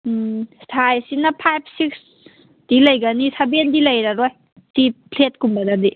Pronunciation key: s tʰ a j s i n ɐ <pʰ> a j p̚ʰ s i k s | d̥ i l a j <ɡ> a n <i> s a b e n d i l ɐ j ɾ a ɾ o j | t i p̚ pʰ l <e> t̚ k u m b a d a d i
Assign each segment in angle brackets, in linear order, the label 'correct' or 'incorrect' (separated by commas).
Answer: correct, correct, correct, correct